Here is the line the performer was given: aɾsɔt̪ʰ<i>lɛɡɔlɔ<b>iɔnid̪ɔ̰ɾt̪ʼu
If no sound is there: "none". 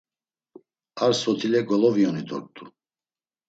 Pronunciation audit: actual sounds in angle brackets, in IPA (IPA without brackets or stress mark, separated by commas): i, v